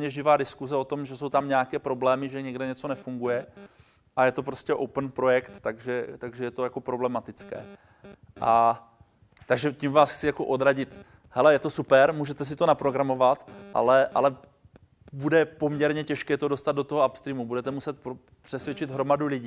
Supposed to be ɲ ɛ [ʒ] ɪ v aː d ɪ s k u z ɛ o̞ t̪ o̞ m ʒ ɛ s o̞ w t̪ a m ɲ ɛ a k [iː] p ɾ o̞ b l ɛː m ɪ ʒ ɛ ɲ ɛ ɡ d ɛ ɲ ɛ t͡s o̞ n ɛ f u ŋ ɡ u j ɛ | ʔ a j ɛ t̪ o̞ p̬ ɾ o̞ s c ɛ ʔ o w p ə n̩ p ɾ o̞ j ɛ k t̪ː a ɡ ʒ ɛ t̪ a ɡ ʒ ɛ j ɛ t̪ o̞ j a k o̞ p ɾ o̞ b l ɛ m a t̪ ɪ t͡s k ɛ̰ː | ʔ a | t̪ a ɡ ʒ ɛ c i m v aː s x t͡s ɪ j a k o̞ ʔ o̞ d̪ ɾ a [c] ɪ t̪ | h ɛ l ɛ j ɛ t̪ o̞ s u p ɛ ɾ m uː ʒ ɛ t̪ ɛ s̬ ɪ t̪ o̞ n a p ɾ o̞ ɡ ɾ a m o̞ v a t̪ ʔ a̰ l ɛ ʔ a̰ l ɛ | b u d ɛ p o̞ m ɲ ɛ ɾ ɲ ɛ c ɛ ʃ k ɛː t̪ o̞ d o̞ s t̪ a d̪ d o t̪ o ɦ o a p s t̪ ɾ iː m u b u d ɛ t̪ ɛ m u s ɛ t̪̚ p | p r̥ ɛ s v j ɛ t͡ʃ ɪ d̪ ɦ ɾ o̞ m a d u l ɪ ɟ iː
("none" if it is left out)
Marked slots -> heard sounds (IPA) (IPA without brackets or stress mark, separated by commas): ʒ, ɛː, ɟ